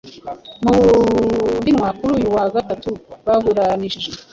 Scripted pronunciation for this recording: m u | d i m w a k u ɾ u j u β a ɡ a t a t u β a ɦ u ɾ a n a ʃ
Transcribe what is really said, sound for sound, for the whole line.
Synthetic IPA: m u | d i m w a k u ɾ u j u w a ɡ a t a t u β a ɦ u ɾ a n i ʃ